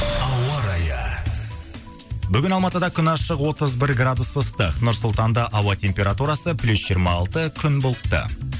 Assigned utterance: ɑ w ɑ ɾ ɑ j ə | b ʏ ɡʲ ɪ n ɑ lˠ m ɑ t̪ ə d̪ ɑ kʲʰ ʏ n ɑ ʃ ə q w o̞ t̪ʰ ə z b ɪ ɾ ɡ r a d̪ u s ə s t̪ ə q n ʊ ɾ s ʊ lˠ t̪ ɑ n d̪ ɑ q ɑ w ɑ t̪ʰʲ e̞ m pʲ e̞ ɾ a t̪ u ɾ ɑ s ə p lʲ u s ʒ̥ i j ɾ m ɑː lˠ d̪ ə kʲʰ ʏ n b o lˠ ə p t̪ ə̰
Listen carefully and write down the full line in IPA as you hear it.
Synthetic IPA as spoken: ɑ w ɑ ɾ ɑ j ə | b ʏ ɡʲ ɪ n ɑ lˠ m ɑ t̪ ə d̪ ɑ kʲʰ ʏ n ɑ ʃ ə q w o̞ t̪ ə z b ɪ ɾ ɡ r a d̪ u s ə s t̪ ə q n ʊ ɾ s ʊ lˠ t̪ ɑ n d̪ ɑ ʔ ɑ w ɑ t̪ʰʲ e̞ m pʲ e̞ ɾ a t̪ u ɾ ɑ s ə p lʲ u s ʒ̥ i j ɾ m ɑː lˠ t̪ ə kʲʰ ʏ n b o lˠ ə p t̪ ə̰